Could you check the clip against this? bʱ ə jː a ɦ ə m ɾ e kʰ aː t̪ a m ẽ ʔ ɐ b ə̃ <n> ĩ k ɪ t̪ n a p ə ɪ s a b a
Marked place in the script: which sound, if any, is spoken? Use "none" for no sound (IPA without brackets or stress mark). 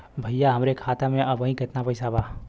none